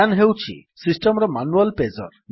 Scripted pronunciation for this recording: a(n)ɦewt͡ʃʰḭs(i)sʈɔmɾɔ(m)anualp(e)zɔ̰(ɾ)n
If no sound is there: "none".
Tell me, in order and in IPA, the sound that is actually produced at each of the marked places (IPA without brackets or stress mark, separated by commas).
n, i, m, e, ɾ